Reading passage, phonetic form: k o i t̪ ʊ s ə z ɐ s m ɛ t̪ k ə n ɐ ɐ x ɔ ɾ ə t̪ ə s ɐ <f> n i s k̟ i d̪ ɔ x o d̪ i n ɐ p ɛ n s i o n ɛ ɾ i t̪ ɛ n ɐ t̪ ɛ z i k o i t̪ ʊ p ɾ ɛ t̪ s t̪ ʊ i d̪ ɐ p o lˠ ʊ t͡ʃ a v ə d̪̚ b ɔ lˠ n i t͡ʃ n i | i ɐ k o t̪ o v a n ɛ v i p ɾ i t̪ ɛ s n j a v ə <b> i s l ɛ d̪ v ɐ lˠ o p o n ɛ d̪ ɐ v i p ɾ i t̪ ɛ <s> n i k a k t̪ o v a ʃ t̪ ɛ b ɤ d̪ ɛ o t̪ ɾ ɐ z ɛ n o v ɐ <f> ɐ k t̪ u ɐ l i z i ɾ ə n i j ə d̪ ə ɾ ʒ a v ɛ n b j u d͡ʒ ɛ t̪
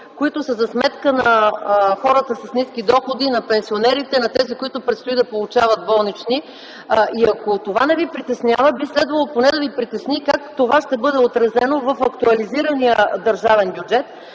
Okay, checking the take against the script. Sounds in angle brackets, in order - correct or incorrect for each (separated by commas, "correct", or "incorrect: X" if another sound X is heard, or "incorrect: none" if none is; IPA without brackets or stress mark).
incorrect: s, correct, correct, correct